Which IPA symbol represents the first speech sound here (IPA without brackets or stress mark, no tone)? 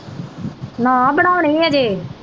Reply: n